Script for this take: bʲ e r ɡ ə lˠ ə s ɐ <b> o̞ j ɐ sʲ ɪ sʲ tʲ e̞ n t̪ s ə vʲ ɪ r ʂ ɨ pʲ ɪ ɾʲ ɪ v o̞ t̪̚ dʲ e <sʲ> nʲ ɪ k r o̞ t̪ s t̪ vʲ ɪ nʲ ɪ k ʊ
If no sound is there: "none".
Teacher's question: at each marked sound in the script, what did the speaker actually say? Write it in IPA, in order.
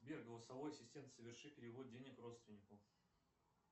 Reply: v, none

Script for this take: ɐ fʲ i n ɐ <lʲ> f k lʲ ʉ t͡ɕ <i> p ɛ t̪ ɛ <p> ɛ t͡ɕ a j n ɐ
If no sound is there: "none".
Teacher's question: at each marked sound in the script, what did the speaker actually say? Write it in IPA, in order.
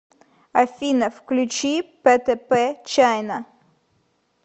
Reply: none, i, p

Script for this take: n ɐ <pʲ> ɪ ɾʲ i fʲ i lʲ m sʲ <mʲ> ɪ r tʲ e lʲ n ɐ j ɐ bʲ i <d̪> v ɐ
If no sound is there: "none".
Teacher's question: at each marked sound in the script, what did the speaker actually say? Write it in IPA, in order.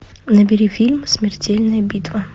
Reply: bʲ, mʲ, t̪

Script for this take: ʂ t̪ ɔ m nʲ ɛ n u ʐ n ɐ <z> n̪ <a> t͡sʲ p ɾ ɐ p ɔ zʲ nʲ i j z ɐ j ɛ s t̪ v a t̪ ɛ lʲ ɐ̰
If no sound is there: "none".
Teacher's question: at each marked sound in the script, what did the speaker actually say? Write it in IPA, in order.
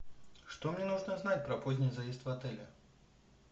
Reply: z, a

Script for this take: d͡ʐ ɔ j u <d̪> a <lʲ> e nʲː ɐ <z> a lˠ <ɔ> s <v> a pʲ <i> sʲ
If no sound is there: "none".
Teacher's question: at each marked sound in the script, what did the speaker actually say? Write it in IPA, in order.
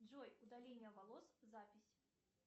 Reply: d̪, lʲ, v, ɔ, z, i

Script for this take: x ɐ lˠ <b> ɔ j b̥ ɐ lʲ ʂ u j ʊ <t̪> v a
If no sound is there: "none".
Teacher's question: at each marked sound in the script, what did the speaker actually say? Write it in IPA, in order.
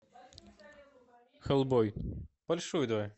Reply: b, d̪

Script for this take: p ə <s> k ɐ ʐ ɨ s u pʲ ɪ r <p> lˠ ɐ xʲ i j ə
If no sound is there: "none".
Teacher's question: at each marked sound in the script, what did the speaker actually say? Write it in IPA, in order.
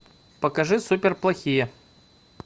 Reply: none, p

